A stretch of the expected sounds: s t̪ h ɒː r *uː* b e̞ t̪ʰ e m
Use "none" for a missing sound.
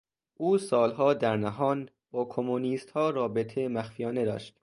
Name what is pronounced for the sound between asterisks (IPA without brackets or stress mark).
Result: ɒː